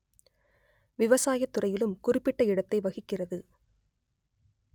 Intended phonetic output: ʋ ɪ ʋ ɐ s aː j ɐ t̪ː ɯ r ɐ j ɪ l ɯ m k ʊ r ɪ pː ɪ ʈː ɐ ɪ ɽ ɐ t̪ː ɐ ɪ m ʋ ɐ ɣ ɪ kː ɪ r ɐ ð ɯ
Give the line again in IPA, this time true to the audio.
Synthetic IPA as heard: ʋ ɪ ʋ ɐ s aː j ɐ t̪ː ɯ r ɐ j ɪ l ɯ m k ʊ r ɪ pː ɪ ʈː ɐ ɪ ɽ ɐ t̪ː ɐ ɪ ʋ ɐ ɣ ɪ kː ɪ r ɐ ð ɯ

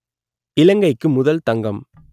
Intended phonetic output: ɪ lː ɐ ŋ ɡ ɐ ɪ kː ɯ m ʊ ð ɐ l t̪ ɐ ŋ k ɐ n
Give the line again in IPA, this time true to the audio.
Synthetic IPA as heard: ɪ l ɐ ŋ ɡ ɐ ɪ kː ɯ m ʊ ð ɐ l t̪ ɐ ŋ ɡ ɐ m

